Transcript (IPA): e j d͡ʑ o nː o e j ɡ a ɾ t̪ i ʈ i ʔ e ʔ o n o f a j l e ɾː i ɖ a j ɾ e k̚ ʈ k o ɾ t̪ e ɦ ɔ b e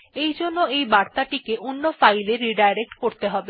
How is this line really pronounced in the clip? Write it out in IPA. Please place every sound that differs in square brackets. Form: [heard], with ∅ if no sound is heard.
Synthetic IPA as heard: e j d͡ʑ o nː o e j [b] a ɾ t̪ [a] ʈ i [k] e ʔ o [nː] o f a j l e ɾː i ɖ a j ɾ e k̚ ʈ k o ɾ t̪ e ɦ ɔ b e